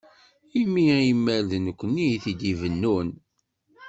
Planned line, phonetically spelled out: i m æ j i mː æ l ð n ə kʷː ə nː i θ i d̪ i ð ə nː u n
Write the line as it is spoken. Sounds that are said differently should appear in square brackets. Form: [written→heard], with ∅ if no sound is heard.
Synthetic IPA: i m [æ→i] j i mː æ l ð n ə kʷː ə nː i θ i d̪ i [ð→v] ə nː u n